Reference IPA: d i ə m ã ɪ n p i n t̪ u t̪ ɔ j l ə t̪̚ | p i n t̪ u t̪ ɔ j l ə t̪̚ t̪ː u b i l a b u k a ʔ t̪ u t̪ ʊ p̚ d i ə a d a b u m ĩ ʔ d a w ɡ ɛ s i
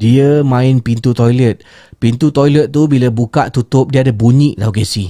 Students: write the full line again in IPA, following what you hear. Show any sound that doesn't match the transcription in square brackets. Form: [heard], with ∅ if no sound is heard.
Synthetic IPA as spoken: d i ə m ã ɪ n p i n t̪ u t̪ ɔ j l ə t̪̚ | p i n t̪ u t̪ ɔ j l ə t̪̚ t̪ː u b i l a b u k a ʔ t̪ u t̪ ʊ p̚ d i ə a d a b u [ɲ] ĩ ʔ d a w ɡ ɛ s i